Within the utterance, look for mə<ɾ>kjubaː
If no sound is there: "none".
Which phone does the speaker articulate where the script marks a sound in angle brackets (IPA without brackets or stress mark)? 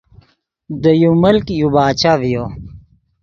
l